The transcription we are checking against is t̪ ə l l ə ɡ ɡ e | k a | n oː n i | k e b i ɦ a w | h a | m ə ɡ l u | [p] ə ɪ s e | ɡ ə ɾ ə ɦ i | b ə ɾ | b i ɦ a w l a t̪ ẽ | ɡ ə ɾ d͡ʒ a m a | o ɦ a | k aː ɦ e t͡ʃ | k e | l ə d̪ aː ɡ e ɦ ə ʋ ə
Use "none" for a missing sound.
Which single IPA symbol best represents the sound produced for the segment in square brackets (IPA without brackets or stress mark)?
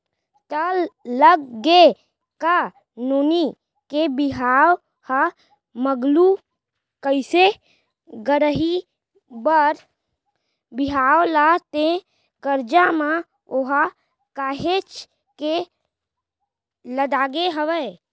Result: k